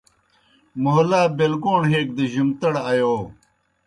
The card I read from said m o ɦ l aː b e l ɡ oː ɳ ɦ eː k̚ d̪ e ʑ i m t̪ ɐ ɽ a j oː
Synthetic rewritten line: m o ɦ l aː b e l ɡ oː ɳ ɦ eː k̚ d̪ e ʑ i m t̪ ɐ ɽ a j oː